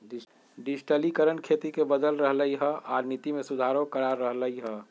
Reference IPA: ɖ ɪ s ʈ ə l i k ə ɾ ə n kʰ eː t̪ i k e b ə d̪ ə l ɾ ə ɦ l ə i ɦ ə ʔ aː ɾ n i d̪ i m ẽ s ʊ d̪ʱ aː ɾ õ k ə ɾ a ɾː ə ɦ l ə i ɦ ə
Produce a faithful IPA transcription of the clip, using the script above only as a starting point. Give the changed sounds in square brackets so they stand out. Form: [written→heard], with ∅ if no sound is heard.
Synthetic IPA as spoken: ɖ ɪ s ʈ ə l i k ə ɾ ə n kʰ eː t̪ i k e b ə d̪ ə l ɾ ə ɦ l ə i ɦ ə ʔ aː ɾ n i [d̪→t̪] i m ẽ s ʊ d̪ʱ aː ɾ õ k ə ɾ a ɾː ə ɦ l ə i ɦ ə